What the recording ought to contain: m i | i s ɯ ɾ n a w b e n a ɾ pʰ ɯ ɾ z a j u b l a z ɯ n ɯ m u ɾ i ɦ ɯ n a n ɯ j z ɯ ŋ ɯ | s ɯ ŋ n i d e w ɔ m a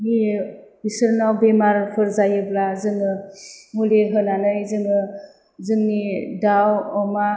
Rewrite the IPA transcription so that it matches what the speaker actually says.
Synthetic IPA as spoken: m i | i s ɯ ɾ n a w b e m a ɾ pʰ ɯ ɾ z a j ɯ b l a z ɯ ŋ ɯ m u l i ɦ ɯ n a n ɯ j z ɯ ŋ ɯ | z ɯ ŋ n i d a w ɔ m a